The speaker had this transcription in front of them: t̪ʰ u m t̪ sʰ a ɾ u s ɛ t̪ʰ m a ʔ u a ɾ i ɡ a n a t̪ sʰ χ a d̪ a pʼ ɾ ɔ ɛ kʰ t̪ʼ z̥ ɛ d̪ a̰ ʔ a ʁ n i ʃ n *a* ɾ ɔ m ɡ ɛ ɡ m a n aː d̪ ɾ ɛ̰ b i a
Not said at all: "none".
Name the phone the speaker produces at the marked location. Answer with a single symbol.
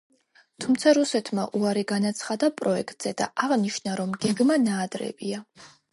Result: a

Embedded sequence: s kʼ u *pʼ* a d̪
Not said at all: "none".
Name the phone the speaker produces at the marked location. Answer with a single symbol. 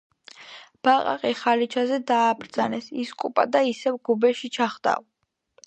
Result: pʼ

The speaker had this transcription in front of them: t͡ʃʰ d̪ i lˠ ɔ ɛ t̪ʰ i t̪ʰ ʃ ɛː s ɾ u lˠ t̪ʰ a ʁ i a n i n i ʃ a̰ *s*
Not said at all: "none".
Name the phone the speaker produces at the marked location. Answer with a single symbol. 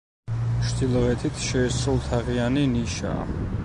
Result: none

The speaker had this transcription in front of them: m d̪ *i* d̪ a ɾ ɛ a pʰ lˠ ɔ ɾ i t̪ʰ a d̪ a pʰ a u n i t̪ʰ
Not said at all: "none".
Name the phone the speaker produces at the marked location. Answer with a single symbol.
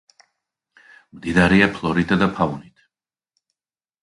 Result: i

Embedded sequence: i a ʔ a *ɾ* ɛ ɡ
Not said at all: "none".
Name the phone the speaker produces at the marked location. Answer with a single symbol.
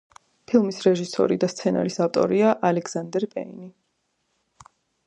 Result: l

